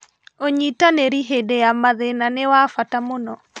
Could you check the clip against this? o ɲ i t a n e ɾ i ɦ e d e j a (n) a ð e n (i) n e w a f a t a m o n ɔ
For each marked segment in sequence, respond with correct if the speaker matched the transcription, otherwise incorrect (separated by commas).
incorrect, incorrect